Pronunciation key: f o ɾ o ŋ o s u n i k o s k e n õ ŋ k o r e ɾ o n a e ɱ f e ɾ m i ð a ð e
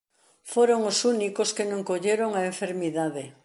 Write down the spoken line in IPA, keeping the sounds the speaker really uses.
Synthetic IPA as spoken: f o ɾ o ŋ o s u n i k o s k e n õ ŋ k o ʎ e ɾ o ŋ a e ɱ f e ɾ m i ð a ð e